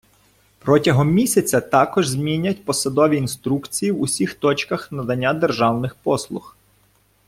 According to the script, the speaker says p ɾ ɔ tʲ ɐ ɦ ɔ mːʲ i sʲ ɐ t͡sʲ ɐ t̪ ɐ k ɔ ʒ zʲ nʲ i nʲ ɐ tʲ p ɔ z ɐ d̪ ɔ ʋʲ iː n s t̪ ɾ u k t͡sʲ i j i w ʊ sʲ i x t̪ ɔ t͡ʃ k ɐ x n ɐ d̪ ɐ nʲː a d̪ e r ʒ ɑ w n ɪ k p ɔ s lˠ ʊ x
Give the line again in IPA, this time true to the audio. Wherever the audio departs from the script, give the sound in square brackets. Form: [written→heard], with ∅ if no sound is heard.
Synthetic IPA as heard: p ɾ ɔ tʲ ɐ ɦ ɔ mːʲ i sʲ ɐ t͡sʲ ɐ t̪ [ɐ→ɑ] k ɔ ʒ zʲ [nʲ→mʲ] i nʲ ɐ tʲ p ɔ [z→s] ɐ d̪ ɔ ʋʲ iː n s t̪ ɾ u k t͡sʲ i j i w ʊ sʲ i x t̪ ɔ t͡ʃ k ɐ x n ɐ d̪ ɐ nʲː a d̪ e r ʒ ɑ w n ɪ [k→x] p ɔ s lˠ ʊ x

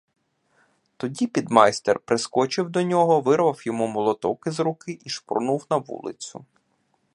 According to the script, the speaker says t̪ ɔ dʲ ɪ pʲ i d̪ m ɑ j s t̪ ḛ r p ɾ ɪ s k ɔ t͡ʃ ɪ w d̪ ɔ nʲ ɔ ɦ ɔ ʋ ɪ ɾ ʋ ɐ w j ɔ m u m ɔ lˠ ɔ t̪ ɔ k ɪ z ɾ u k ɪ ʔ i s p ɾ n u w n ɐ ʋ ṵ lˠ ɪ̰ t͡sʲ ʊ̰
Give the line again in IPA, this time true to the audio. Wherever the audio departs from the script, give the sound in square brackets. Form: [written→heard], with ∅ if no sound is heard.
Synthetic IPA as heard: t̪ ɔ dʲ [ɪ→i] pʲ i d̪ m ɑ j s t̪ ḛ r p ɾ ɪ s k ɔ t͡ʃ ɪ w d̪ ɔ nʲ ɔ ɦ ɔ ʋ ɪ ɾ ʋ ɐ w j ɔ m u m ɔ lˠ ɔ t̪ ɔ k ɪ z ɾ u k ɪ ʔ i [s→ʃ] p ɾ n u w n ɐ ʋ ṵ lˠ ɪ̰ t͡sʲ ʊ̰

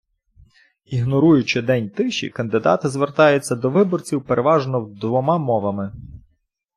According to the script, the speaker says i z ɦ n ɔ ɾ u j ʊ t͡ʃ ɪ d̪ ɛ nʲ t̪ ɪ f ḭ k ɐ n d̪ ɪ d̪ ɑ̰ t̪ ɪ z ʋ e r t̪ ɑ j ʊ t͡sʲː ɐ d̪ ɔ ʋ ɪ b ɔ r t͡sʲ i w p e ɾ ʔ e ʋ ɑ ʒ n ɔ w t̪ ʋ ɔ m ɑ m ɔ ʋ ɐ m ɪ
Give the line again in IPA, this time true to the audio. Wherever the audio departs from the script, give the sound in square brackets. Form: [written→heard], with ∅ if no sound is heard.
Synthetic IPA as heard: i [z→∅] ɦ n ɔ ɾ u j ʊ t͡ʃ ɪ d̪ ɛ nʲ t̪ ɪ [f→ʃ] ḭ k ɐ n d̪ ɪ d̪ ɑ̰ t̪ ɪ z ʋ e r t̪ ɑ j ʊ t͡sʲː ɐ d̪ ɔ ʋ ɪ b ɔ r t͡sʲ i w p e ɾ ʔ e ʋ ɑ ʒ n ɔ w [t̪→d̪] ʋ ɔ m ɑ m ɔ ʋ ɐ m ɪ

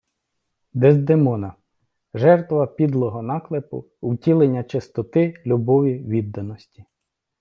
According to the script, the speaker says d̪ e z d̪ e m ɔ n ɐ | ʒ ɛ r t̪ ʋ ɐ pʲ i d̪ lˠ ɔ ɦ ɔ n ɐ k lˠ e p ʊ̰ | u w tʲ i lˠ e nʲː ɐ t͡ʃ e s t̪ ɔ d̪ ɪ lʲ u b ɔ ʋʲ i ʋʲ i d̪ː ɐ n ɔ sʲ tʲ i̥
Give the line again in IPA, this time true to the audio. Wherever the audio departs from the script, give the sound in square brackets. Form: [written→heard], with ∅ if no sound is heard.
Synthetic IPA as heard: d̪ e z d̪ e m ɔ n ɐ | ʒ ɛ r t̪ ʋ ɐ pʲ i d̪ lˠ ɔ ɦ ɔ n [ɐ→ɑ] k lˠ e p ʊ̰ | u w tʲ i lˠ e nʲː ɐ t͡ʃ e s t̪ ɔ [d̪→t̪] ɪ lʲ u b ɔ ʋʲ i ʋʲ i d̪ː ɐ n ɔ sʲ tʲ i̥

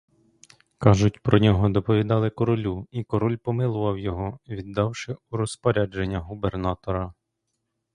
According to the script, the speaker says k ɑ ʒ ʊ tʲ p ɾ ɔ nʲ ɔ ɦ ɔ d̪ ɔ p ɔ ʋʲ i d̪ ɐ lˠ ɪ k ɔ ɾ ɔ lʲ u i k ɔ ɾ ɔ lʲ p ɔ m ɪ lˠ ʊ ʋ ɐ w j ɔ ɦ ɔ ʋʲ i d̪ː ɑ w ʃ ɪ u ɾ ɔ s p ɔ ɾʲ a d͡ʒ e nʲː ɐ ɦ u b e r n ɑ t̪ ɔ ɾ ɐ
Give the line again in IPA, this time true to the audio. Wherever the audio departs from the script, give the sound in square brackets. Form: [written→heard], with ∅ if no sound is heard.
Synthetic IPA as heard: k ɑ ʒ ʊ tʲ p ɾ ɔ nʲ ɔ ɦ ɔ d̪ ɔ p ɔ ʋʲ i d̪ [ɐ→ɑ] lˠ ɪ k ɔ ɾ ɔ lʲ u i k ɔ ɾ ɔ lʲ p ɔ m ɪ lˠ ʊ ʋ ɐ w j ɔ ɦ ɔ ʋʲ i d̪ː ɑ w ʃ ɪ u ɾ ɔ s p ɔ ɾʲ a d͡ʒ e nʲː ɐ ɦ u b e r n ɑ t̪ ɔ ɾ ɐ

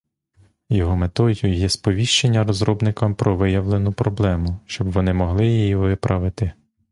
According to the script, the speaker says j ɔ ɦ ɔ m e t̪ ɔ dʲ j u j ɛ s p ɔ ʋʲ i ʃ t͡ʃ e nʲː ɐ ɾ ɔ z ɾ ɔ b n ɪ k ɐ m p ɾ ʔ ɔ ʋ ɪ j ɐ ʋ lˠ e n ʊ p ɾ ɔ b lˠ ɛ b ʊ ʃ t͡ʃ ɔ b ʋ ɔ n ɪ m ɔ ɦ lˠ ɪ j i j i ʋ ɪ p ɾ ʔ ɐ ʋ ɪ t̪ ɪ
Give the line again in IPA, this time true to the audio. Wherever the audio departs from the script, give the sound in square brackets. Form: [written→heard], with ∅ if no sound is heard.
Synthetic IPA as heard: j ɔ ɦ ɔ m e t̪ ɔ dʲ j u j ɛ s p ɔ ʋʲ i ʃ t͡ʃ e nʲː ɐ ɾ ɔ z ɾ ɔ b n ɪ k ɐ m p ɾ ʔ ɔ ʋ ɪ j ɐ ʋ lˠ e n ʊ p ɾ ɔ b lˠ ɛ [b→m] ʊ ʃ t͡ʃ ɔ b ʋ ɔ n ɪ m ɔ ɦ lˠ ɪ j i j i ʋ ɪ p ɾ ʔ ɐ ʋ ɪ t̪ ɪ

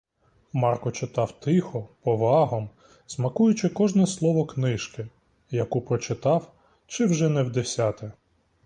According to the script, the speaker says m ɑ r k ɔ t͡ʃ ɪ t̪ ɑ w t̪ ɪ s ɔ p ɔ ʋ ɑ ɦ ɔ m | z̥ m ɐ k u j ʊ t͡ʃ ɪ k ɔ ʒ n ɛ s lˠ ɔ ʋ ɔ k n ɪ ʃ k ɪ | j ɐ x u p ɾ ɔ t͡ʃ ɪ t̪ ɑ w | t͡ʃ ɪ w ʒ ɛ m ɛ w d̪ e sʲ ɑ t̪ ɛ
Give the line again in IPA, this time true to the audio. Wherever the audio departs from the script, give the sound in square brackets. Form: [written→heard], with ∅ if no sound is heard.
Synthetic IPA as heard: m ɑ r k ɔ t͡ʃ ɪ t̪ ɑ w t̪ ɪ [s→x] ɔ p ɔ ʋ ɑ ɦ ɔ m | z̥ m ɐ k u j ʊ t͡ʃ ɪ k ɔ ʒ n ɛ s lˠ ɔ ʋ ɔ k n ɪ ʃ k ɪ | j ɐ [x→k] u p ɾ ɔ t͡ʃ ɪ t̪ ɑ w | t͡ʃ ɪ w ʒ ɛ [m→n] ɛ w d̪ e sʲ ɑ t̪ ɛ

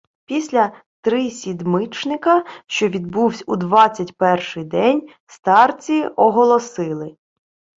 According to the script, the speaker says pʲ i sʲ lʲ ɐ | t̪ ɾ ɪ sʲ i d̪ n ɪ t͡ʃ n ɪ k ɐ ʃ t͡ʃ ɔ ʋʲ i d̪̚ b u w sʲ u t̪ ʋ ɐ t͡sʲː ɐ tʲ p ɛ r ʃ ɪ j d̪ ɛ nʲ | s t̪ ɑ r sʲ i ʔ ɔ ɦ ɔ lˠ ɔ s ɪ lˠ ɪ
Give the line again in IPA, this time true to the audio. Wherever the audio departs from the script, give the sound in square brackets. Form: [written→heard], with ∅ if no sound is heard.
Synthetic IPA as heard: pʲ i sʲ lʲ ɐ | t̪ ɾ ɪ sʲ i d̪ [n→m] ɪ t͡ʃ n ɪ k ɐ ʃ t͡ʃ ɔ ʋʲ i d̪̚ b u w sʲ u [t̪→d̪] ʋ [ɐ→ɑ] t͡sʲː ɐ tʲ p ɛ r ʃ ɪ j d̪ ɛ nʲ | s t̪ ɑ r [sʲ→t͡sʲ] i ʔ ɔ ɦ ɔ lˠ ɔ s ɪ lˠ ɪ

